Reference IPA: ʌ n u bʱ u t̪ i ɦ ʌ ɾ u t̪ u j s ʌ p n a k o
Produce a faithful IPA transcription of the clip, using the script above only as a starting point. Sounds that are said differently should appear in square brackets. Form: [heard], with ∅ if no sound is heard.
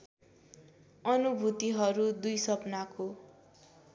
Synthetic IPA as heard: ʌ n u bʱ u t̪ i ɦ ʌ ɾ u [d̪] u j s ʌ p n a k o

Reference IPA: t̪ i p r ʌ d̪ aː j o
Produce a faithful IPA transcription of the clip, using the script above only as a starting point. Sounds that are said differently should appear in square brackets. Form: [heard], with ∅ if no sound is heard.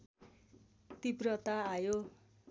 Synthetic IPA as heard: t̪ i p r ʌ [t̪] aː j o

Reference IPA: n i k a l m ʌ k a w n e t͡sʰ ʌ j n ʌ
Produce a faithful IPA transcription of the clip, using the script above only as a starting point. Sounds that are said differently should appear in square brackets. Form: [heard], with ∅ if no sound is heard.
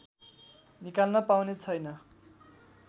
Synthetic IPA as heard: n i k a l [n] ʌ [p] a w n e t͡sʰ ʌ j n ʌ

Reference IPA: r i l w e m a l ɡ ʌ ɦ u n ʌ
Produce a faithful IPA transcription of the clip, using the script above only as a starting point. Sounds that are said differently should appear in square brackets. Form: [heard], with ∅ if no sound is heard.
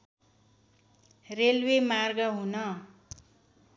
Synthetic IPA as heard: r [e] l w e m a [r] ɡ ʌ ɦ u n ʌ

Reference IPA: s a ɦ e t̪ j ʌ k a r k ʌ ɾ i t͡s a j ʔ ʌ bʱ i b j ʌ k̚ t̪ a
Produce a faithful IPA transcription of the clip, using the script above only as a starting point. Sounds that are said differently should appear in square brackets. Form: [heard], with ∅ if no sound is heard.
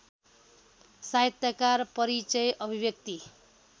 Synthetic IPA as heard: s a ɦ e t̪ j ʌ k a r [p] ʌ ɾ i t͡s [ʌ] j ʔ ʌ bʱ i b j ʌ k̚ t̪ [i]

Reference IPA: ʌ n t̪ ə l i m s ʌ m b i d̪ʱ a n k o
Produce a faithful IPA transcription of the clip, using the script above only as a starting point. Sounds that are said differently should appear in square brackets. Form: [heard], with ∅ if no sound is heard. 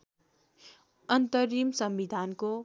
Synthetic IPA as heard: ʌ n t̪ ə [ɾ] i m s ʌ m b i d̪ʱ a n k o

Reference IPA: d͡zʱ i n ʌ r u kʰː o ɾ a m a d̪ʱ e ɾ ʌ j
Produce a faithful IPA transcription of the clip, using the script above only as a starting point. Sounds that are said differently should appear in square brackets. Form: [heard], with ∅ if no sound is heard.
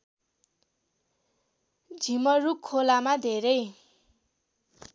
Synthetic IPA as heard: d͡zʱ i [m] ʌ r u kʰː o [l] a m a d̪ʱ e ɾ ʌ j

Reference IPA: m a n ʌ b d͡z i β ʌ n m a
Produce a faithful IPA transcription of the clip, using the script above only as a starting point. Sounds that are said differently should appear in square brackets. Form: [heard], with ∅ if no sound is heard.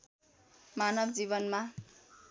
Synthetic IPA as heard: m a n ʌ b d͡z i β ʌ n m a

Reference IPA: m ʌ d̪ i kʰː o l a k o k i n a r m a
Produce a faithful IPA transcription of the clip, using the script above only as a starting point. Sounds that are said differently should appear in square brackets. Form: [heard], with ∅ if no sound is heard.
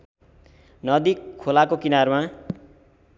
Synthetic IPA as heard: [n] ʌ d̪ i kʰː o l a k o k i n a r m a

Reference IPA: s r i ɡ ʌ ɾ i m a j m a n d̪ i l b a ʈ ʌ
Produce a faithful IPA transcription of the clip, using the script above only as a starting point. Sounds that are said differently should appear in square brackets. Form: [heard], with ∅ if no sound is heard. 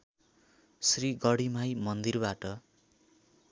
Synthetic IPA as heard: s r i ɡ ʌ [ɽ] i m a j m [ʌ] n d̪ i [r] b a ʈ ʌ

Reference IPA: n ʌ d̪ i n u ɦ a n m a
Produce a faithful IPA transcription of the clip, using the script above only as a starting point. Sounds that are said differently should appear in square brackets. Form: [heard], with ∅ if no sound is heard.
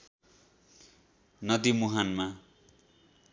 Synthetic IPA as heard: n ʌ d̪ i [m] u ɦ a n m a

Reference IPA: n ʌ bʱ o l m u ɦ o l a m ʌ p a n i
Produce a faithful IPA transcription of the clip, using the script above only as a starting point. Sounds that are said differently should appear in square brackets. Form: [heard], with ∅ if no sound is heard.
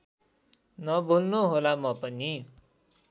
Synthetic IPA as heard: n ʌ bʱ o l [n] u ɦ o l a m ʌ p [ʌ] n i

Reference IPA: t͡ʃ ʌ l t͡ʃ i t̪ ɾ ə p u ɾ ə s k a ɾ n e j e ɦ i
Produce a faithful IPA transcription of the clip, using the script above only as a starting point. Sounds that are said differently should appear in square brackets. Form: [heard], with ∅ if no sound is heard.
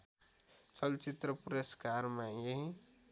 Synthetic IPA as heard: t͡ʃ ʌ l t͡ʃ i t̪ ɾ ə p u ɾ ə s k a ɾ [m] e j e ɦ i

